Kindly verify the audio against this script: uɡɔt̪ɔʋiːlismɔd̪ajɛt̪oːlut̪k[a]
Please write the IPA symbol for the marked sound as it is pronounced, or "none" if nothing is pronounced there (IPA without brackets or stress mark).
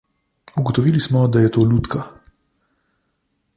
a